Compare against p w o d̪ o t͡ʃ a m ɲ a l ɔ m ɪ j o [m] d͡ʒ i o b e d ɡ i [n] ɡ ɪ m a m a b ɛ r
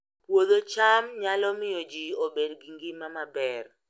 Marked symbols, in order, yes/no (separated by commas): no, no